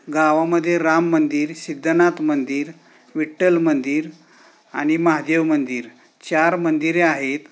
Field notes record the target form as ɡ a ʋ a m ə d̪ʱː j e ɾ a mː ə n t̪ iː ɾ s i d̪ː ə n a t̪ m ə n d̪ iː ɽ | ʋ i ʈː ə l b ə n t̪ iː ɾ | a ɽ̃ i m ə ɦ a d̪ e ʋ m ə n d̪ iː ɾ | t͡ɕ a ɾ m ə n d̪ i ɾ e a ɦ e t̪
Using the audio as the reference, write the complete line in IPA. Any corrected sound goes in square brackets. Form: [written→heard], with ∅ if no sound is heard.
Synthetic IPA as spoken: ɡ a ʋ a m ə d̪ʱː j e ɾ a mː ə n [t̪→d̪] iː ɾ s i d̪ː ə n a t̪ m ə n d̪ iː [ɽ→ɾ] | ʋ i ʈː ə l [b→m] ə n [t̪→d̪] iː ɾ | a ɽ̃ i m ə ɦ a d̪ e ʋ m ə n d̪ iː ɾ | t͡ɕ a ɾ m ə n d̪ i ɾ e a ɦ e t̪